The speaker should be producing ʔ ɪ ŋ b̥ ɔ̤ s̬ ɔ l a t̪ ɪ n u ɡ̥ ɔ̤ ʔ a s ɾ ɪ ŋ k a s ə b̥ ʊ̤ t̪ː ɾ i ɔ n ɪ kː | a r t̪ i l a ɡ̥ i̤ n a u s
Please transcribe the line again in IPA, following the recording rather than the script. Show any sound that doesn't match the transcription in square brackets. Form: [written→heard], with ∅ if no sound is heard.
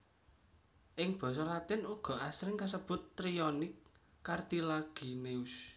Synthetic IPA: ʔ ɪ ŋ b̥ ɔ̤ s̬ ɔ l a t̪ ɪ n u ɡ̥ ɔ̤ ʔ a s ɾ ɪ ŋ k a s ə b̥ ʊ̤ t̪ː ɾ i ɔ n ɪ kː | a r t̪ i l a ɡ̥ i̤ n [a→e] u s

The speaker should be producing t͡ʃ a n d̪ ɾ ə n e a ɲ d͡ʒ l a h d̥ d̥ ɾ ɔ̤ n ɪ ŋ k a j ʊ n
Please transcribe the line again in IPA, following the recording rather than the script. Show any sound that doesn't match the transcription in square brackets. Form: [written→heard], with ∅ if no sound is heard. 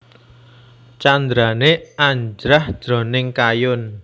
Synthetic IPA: t͡ʃ a n d̪ ɾ [ə→a] n e a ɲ d͡ʒ [l→ɾ] a h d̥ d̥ ɾ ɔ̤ n ɪ ŋ k a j ʊ n

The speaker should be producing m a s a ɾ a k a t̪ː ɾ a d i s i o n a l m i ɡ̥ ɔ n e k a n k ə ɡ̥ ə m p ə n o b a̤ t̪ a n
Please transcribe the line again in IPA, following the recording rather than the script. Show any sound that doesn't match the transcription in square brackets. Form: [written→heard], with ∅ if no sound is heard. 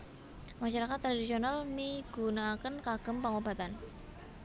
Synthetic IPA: m a [s→ʃ] a ɾ a k a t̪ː ɾ a d i s i o n a l m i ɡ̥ [ɔ→u] n [e→a] k [a→ə] n k [ə→a] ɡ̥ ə m p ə [n→ŋ] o b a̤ t̪ a n

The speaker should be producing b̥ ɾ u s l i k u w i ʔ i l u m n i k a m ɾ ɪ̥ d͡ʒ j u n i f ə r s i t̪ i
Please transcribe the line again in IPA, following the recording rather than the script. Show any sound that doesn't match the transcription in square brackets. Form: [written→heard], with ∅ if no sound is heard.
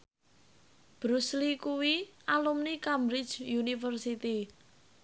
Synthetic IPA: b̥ ɾ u s l i k u w i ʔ [i→a] l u m n i k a m ɾ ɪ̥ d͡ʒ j u n i f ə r s i t̪ i

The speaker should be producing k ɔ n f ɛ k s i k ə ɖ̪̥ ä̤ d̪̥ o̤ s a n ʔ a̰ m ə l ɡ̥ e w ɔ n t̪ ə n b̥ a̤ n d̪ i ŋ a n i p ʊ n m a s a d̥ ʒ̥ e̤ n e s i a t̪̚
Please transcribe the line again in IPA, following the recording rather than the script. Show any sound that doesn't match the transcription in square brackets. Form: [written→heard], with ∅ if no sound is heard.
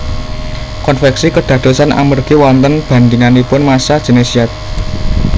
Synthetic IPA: k ɔ n f ɛ k s i k ə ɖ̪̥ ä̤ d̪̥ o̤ s a n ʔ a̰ m ə [l→r] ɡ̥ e w ɔ n t̪ ə n b̥ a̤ n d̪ i ŋ a n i p ʊ n m a s a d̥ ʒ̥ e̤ n e s i a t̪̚

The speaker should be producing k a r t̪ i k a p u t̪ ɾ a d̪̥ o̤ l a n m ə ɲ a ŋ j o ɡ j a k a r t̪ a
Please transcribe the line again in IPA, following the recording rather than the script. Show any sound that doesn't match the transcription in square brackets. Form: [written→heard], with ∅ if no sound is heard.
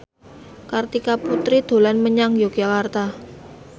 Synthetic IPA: k a r t̪ i k a p u t̪ ɾ [a→i] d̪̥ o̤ l a n m ə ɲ a ŋ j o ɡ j a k a r t̪ a

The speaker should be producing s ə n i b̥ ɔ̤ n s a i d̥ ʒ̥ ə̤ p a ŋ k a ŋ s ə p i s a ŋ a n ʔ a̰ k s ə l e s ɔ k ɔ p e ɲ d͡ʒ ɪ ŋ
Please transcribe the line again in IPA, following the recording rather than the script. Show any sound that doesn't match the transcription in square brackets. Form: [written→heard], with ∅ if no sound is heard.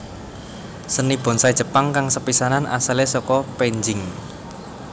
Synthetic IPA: s ə n i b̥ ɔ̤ n s a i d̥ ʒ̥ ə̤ p a ŋ k a ŋ s ə p i s a [ŋ→n] a n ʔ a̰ [k→∅] s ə l e s ɔ k ɔ p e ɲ d͡ʒ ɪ ŋ

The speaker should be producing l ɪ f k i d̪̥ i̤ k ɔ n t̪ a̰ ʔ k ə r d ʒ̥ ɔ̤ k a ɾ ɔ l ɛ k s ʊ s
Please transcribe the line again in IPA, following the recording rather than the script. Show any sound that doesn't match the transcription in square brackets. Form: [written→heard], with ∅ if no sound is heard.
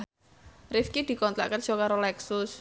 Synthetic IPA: [l→r] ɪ f k i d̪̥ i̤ k ɔ n t̪ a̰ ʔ k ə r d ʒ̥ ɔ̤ k a ɾ [ɔ→o] l ɛ k s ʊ s

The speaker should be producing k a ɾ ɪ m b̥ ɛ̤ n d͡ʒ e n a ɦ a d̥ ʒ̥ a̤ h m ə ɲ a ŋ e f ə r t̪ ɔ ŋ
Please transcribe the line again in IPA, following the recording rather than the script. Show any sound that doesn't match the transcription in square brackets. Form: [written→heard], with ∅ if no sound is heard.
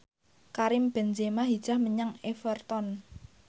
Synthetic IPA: k a ɾ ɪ m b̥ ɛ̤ n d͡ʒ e [n→m] a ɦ [a→i] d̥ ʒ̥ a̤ h m ə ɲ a ŋ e f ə r t̪ ɔ [ŋ→n]

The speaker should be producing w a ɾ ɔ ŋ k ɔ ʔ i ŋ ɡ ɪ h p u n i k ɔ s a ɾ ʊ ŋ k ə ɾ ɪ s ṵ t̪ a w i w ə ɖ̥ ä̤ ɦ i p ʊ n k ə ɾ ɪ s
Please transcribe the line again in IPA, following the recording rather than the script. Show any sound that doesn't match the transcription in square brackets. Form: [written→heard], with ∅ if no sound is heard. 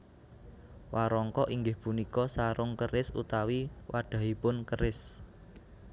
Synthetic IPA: w a ɾ ɔ ŋ k ɔ ʔ i ŋ ɡ ɪ h p u n i k ɔ s a ɾ ʊ ŋ k ə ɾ ɪ s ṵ t̪ a w i w [ə→a] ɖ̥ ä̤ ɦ i p ʊ n k ə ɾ ɪ s

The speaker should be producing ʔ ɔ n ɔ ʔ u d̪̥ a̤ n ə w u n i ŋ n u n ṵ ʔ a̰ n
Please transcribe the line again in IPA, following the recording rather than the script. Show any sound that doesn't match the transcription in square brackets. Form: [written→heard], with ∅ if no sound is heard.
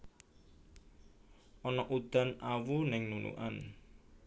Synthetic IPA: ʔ ɔ n ɔ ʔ u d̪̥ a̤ n [ə→a] w u n [i→ɪ] ŋ n u n ṵ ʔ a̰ n

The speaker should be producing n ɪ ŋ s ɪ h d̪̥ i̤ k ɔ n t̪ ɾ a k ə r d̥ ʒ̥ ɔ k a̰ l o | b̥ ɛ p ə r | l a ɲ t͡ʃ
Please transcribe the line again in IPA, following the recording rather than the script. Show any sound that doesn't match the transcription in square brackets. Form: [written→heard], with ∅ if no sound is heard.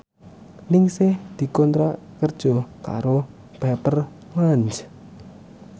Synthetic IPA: n ɪ ŋ s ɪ h d̪̥ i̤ k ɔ n t̪ ɾ a k ə r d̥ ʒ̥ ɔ k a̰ [l→ɾ] o | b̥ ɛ p ə r | l a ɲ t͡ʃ

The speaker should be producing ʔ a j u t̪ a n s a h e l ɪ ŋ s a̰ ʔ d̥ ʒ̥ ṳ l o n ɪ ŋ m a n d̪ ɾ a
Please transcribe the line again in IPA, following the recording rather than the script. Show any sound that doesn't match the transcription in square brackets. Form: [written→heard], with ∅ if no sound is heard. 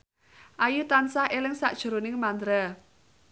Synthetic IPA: ʔ a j u t̪ a n s a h e l ɪ ŋ s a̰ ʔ d̥ ʒ̥ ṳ [l→ɾ] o n ɪ ŋ m a n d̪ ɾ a

